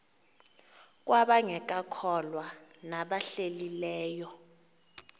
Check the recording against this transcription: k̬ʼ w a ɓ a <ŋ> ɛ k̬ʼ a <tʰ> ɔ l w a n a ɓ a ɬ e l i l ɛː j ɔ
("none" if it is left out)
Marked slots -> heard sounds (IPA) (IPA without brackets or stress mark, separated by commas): ŋ, kʰ